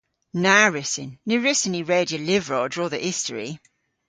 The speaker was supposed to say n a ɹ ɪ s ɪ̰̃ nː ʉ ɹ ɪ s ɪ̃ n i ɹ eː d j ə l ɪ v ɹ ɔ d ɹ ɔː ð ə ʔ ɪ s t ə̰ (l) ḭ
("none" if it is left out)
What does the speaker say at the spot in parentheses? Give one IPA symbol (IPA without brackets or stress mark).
ɹ